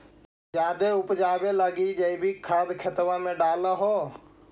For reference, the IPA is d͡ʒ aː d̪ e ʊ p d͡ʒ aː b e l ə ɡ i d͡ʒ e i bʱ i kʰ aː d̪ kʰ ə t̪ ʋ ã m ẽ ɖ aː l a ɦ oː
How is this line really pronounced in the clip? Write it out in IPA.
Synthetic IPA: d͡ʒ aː d̪ e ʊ p d͡ʒ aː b e l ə ɡ i d͡ʒ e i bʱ i kʰ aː d̪ kʰ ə t̪ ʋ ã m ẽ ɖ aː l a ɦ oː